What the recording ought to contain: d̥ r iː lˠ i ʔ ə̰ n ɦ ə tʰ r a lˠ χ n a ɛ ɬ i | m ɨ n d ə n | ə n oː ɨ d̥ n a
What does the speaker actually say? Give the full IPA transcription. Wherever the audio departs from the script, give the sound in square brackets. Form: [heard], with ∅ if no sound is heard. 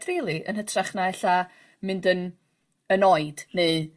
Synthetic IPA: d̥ r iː lˠ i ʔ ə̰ n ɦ ə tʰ r a [∅] χ n a ɛ ɬ [a] | m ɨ n d ə n | ə n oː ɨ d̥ n [e]